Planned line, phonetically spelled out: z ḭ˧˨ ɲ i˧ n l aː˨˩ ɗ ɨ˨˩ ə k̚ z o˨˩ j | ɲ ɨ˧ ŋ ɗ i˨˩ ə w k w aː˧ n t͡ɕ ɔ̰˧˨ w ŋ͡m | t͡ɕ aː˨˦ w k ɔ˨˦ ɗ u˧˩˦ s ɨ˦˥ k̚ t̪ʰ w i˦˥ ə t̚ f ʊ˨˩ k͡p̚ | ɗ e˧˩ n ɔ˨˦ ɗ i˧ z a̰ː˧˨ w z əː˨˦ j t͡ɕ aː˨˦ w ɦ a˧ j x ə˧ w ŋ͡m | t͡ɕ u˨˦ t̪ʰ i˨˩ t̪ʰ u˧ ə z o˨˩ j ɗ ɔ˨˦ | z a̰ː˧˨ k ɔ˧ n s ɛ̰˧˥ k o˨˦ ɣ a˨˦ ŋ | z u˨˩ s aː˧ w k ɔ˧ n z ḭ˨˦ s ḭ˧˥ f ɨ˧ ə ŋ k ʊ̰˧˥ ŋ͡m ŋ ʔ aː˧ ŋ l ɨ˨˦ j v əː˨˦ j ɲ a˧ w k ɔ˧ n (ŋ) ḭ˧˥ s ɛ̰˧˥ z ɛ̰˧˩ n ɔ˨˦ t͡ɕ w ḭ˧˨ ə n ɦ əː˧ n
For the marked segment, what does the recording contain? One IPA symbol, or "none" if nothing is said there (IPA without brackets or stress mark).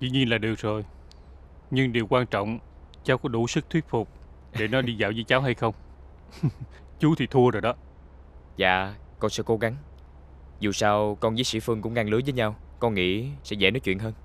ŋ